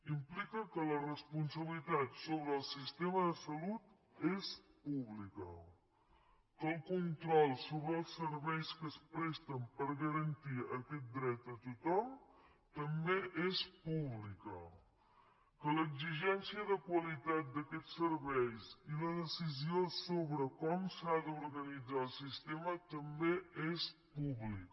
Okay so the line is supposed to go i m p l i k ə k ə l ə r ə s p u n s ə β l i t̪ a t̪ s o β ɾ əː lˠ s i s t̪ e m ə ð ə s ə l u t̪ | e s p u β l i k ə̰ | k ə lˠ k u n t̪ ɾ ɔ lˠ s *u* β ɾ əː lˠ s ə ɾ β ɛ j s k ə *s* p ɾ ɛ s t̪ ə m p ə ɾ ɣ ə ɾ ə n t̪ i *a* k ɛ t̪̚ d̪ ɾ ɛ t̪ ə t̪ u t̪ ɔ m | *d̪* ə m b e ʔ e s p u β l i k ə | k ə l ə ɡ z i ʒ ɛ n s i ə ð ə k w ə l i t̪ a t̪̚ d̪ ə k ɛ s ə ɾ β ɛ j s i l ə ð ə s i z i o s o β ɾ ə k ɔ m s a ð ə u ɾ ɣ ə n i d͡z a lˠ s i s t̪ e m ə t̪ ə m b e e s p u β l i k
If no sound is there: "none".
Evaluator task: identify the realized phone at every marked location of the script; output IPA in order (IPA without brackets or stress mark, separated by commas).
o, s, ə, t̪